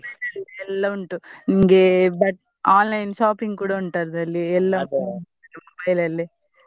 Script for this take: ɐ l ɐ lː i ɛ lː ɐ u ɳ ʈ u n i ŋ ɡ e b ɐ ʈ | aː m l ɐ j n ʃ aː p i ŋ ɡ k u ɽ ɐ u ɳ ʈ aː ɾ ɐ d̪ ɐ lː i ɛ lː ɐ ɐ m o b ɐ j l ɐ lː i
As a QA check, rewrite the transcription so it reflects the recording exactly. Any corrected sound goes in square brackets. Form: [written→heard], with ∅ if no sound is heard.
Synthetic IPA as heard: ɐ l ɐ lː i ɛ lː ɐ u ɳ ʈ u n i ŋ ɡ e b ɐ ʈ | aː [m→n] l ɐ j n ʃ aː p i ŋ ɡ k [u→uː] ɽ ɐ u ɳ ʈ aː ɾ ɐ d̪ ɐ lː i ɛ lː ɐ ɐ m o b ɐ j l ɐ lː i

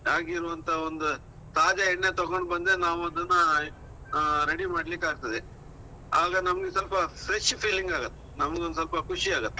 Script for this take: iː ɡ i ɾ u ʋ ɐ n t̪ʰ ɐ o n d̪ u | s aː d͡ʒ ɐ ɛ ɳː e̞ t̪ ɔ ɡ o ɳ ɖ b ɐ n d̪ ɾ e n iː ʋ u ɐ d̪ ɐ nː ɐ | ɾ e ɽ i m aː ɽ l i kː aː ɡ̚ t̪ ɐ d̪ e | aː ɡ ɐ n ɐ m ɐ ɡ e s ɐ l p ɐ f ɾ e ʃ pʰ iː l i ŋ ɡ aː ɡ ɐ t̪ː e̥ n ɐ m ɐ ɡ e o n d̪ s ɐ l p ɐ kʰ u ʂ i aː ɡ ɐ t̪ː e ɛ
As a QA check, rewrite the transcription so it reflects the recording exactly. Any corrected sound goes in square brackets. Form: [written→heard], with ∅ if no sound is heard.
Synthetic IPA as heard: [iː→aː] ɡ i ɾ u ʋ ɐ n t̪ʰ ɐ o n d̪ u | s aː d͡ʒ ɐ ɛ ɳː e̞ t̪ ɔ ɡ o ɳ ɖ b ɐ n d̪ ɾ e n [iː→aː] ʋ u ɐ d̪ ɐ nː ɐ | ɾ e ɽ i m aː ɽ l i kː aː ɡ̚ t̪ ɐ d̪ e | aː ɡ ɐ n ɐ m ɐ ɡ e s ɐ l p ɐ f ɾ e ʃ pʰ iː l i ŋ ɡ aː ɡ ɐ t̪ː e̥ n ɐ m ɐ ɡ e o n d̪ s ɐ l p ɐ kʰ u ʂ i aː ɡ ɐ t̪ː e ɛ

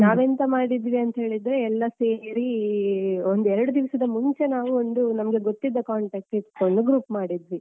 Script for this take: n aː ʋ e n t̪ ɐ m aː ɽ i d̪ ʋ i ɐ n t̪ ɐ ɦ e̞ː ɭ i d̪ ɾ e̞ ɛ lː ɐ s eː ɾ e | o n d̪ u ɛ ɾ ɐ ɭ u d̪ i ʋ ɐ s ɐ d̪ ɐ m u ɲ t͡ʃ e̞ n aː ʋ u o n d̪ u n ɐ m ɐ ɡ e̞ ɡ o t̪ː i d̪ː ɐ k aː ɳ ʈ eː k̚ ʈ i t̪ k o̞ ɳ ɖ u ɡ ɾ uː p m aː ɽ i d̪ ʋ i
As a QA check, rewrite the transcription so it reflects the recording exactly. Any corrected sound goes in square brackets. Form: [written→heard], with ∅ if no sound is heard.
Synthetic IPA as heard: n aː ʋ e n t̪ ɐ m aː ɽ i d̪ ʋ i ɐ n t̪ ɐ ɦ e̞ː ɭ i d̪ ɾ e̞ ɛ lː ɐ s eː ɾ [e→i] | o n d̪ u ɛ ɾ ɐ [ɭ→ɽ] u d̪ i ʋ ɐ s ɐ d̪ ɐ m u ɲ t͡ʃ e̞ n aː ʋ u o n d̪ u n ɐ m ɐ ɡ e̞ ɡ o t̪ː i d̪ː ɐ k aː ɳ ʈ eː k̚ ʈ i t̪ k o̞ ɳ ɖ u ɡ ɾ uː p m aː ɽ i d̪ ʋ i

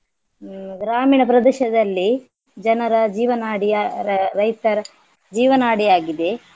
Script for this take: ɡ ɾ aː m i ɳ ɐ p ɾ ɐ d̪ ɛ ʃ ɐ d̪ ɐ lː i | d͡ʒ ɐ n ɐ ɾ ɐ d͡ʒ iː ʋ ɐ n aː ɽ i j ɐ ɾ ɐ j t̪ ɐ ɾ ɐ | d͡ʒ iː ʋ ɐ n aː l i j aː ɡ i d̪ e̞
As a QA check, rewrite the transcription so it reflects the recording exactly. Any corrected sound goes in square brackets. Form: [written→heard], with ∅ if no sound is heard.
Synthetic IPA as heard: ɡ ɾ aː m [i→iː] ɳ ɐ p ɾ ɐ d̪ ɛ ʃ ɐ d̪ ɐ lː i | d͡ʒ ɐ n ɐ ɾ ɐ d͡ʒ iː ʋ ɐ n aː ɽ i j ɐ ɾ ɐ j t̪ ɐ ɾ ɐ | d͡ʒ iː ʋ ɐ n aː [l→ɽ] i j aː ɡ i d̪ e̞

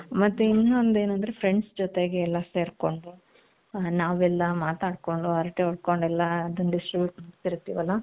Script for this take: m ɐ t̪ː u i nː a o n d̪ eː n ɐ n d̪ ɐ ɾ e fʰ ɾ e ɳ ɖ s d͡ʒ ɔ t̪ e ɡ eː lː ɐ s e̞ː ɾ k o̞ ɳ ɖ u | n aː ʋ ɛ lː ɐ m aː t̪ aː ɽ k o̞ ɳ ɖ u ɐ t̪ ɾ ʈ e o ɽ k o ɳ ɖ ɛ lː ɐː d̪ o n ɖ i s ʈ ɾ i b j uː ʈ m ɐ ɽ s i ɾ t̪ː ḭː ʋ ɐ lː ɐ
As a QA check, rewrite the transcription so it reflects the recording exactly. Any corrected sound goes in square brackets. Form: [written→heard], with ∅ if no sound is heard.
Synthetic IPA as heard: m ɐ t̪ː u i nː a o n d̪ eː n ɐ n d̪ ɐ ɾ e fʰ ɾ e ɳ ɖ s d͡ʒ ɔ t̪ e ɡ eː lː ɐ s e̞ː ɾ k o̞ ɳ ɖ u | n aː ʋ ɛ lː ɐ m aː t̪ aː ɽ k o̞ ɳ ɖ u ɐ [t̪→∅] ɾ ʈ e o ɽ k o ɳ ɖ ɛ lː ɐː d̪ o n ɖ i s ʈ ɾ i b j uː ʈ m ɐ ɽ s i ɾ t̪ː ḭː ʋ ɐ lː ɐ

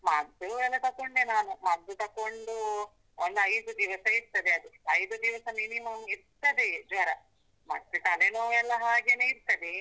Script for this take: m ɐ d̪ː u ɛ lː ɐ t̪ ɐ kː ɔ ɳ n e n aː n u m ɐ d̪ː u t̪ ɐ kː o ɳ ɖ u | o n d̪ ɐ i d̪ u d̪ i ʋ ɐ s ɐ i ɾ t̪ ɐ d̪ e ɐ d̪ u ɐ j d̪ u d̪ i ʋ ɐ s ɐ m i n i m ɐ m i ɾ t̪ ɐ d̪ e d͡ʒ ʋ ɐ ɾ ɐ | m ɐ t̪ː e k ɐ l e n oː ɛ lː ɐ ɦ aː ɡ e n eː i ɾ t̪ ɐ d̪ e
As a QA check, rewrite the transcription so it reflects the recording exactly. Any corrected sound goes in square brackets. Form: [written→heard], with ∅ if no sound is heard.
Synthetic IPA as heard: m ɐ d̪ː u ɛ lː ɐ t̪ ɐ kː [ɔ→o] ɳ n e n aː n u m ɐ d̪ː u t̪ ɐ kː o ɳ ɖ u | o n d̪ ɐ [i→j] d̪ u d̪ i ʋ ɐ s ɐ i ɾ t̪ ɐ d̪ e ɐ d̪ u ɐ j d̪ u d̪ i ʋ ɐ s ɐ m i n i m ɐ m i ɾ t̪ ɐ d̪ e d͡ʒ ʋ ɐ ɾ ɐ | m ɐ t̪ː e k ɐ l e n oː ɛ lː ɐ ɦ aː ɡ e n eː i ɾ t̪ ɐ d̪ e

